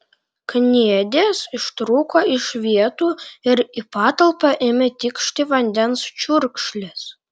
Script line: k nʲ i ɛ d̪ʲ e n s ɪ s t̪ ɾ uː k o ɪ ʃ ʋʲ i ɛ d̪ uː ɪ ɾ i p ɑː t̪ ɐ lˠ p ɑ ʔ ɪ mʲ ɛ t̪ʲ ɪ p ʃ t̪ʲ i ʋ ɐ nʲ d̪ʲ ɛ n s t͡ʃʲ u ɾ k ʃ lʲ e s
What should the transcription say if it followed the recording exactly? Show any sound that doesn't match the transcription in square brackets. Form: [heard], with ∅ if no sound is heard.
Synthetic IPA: k nʲ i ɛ d̪ʲ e [∅] s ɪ [ʃ] t̪ ɾ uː k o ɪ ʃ ʋʲ i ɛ [t̪] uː ɪ ɾ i p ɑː t̪ ɐ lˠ p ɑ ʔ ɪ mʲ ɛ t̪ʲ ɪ [k] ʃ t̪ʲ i ʋ ɐ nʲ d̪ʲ ɛ n s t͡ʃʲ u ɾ k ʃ lʲ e s